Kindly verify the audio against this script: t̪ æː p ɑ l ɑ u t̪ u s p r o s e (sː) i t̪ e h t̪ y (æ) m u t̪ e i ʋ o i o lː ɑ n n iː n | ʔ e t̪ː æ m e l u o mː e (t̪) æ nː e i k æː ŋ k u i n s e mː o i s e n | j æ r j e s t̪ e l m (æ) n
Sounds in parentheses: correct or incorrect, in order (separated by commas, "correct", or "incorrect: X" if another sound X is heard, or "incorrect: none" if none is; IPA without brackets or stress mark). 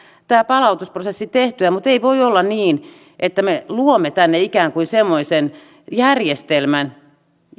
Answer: correct, correct, correct, correct